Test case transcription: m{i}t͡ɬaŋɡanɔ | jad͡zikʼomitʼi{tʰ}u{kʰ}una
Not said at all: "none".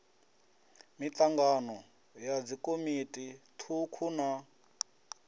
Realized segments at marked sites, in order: i, tʰ, kʰ

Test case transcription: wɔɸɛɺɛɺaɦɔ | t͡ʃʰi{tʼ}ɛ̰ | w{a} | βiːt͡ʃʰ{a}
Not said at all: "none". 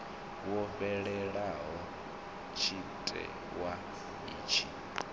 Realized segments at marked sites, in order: tʼ, a, i

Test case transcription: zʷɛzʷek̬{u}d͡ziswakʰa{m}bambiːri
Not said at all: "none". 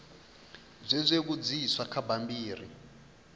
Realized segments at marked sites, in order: u, none

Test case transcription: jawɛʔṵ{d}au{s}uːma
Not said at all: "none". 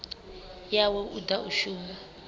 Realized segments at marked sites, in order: d, ʃ

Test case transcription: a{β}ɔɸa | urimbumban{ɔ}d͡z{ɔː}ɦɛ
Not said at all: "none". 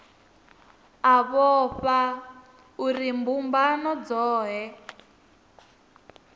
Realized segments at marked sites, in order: β, ɔ, ɔː

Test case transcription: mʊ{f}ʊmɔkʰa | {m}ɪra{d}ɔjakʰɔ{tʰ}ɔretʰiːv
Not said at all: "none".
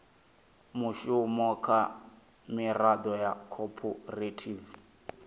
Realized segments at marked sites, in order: ʃ, m, d, pʰ

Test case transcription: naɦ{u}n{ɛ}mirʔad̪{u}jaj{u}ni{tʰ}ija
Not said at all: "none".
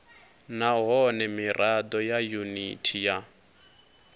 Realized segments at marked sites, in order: ɔ, ɛ, ɔ, u, tʰ

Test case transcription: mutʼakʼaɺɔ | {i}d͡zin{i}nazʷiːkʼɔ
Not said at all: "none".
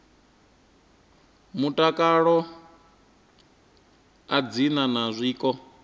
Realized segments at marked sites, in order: a, a

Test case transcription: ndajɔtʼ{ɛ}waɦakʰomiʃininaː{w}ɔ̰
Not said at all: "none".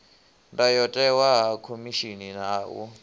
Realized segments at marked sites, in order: ɛ, w

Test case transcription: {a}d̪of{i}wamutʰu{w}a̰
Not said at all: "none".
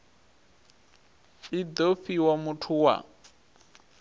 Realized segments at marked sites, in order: i, i, w

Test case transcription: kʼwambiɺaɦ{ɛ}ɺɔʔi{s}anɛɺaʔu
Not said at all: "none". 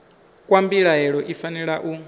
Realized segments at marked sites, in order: ɛ, f

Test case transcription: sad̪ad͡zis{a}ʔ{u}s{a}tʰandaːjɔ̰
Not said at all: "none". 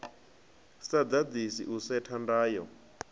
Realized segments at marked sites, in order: i, u, ɛ

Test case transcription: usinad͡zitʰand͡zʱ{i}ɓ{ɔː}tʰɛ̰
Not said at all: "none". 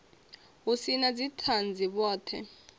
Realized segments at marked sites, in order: i, ɔː

